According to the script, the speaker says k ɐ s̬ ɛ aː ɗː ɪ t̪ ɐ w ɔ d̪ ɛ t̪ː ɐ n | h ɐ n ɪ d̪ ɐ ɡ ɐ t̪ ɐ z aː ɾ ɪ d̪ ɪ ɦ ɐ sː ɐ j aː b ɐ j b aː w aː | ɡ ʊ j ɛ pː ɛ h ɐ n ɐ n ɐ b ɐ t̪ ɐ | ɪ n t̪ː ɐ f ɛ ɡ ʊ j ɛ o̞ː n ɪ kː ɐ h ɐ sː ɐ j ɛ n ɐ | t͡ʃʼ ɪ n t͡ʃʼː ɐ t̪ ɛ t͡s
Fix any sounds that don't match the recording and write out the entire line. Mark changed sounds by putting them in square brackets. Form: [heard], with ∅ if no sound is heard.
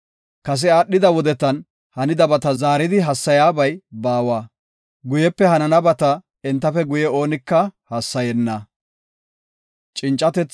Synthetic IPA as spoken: k ɐ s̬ ɛ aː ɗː ɪ [d̪] ɐ w ɔ d̪ ɛ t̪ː ɐ n | h ɐ n ɪ d̪ ɐ [b] ɐ t̪ ɐ z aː ɾ ɪ d̪ ɪ ɦ ɐ sː ɐ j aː b ɐ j b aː w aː | ɡ ʊ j ɛ pː ɛ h ɐ n ɐ n ɐ b ɐ t̪ ɐ | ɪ n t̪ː ɐ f ɛ ɡ ʊ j ɛ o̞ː n ɪ kː ɐ h ɐ sː ɐ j ɛ [nː] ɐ | t͡ʃʼ ɪ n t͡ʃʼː ɐ t̪ ɛ t͡s